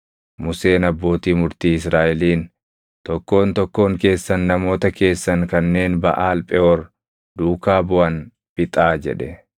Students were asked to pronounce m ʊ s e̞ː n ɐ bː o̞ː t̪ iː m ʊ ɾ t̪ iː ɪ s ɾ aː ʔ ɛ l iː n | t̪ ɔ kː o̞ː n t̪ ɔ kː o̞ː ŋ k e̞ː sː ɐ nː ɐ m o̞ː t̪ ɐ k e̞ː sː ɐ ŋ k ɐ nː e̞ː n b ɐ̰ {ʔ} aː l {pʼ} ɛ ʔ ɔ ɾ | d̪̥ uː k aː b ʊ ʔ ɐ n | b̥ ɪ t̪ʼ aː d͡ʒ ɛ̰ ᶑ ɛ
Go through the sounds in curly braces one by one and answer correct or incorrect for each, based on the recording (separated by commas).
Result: correct, correct